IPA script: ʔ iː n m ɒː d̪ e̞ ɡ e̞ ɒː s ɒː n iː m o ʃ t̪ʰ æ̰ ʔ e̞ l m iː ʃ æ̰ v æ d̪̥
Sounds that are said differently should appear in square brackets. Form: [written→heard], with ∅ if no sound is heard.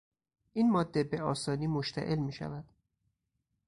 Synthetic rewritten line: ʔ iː n m ɒː [d̪→d̪ː] e̞ [ɡ→b] e̞ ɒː s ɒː n iː m o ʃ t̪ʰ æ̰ ʔ e̞ l m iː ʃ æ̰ v æ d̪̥